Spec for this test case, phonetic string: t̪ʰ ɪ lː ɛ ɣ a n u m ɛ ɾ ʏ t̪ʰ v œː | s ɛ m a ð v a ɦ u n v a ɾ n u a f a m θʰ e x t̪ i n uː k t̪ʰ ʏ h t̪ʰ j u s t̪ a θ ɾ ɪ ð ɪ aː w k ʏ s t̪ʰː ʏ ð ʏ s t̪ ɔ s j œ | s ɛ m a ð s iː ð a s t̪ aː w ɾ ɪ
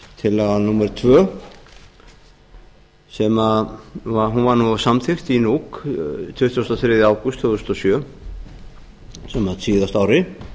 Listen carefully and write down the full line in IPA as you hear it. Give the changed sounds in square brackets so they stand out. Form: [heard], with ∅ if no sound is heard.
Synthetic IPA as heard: t̪ʰ ɪ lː ɛ ɣ a n u m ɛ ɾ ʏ t̪ʰ v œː | s ɛ m a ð v a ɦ u n v a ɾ n u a [s] a m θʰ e x t̪ i n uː k t̪ʰ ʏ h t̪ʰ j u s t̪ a θ ɾ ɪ ð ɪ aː w k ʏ s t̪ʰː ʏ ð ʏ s t̪ ɔ s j œ | s ɛ m a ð s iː ð a s t̪ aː w ɾ ɪ

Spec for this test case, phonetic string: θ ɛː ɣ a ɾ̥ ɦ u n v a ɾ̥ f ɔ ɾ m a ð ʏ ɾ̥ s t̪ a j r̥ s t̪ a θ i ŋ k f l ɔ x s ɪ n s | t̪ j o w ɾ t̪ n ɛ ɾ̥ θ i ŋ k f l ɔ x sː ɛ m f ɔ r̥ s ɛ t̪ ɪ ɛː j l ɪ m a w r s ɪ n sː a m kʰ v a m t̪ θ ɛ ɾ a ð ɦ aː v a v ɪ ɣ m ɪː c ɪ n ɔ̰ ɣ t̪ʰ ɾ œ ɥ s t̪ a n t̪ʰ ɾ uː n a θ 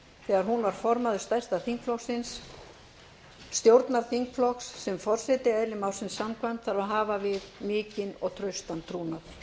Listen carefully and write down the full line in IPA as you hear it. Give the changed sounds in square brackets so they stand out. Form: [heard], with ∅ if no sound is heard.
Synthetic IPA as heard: θ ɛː ɣ a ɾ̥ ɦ u n v a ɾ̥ f ɔ ɾ m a ð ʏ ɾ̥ s t̪ a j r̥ s t̪ a θ i ŋ k f l ɔ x s ɪ n s | t̪ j o w ɾ t̪ n [a] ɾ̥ θ i ŋ k f l ɔ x sː ɛ m f ɔ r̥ s ɛ t̪ ɪ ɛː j l ɪ m a w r s ɪ n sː a m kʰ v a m t̪ θ [a] ɾ a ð ɦ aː v a v ɪ [ð] m ɪː c ɪ n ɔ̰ ɣ t̪ʰ ɾ œ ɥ s t̪ a n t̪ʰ ɾ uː n a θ

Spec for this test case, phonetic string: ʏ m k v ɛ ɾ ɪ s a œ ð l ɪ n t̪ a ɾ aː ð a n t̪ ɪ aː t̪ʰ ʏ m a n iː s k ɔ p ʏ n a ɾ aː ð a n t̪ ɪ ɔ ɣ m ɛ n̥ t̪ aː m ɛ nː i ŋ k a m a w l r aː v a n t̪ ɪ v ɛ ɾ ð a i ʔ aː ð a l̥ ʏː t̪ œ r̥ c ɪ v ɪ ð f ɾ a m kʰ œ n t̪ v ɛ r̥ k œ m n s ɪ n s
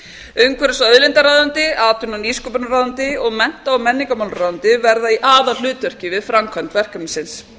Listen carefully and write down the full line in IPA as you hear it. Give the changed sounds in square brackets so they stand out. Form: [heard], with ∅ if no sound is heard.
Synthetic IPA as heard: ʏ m k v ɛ ɾ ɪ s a œ ð l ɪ n t̪ a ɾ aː ð a n t̪ ɪ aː [t̪] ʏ [n] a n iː s k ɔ p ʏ n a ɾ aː ð a n t̪ ɪ ɔ ɣ m ɛ n̥ t̪ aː m ɛ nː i ŋ k a m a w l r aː [ð] a n t̪ ɪ v ɛ ɾ ð a i ʔ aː ð a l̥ ʏː t̪ œ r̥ c ɪ v ɪ ð f ɾ a m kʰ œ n t̪ v ɛ r̥ k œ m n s ɪ n s

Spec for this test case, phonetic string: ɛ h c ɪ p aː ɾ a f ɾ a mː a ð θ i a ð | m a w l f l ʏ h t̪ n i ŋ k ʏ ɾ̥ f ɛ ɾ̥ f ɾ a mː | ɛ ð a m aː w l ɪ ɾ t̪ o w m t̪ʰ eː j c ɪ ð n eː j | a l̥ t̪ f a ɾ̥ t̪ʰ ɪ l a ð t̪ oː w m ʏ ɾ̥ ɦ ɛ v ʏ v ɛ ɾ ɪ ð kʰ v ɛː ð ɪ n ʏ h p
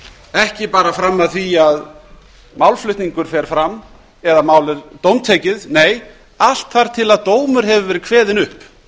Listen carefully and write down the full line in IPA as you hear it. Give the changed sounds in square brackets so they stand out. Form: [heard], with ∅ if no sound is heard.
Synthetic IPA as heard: ɛ h c ɪ p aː ɾ a f ɾ a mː a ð θ i a ð | m a w l f l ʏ h t̪ n i ŋ k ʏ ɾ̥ f ɛ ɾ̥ f ɾ a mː | ɛ ð a m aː w l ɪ ɾ t̪ o w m t̪ʰ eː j c ɪ ð n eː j | a l̥ t̪ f a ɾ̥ t̪ʰ ɪ l a ð t̪ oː w m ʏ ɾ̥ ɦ ɛ v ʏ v ɛ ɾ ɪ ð kʰ v ɛː ð ɪ n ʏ h p

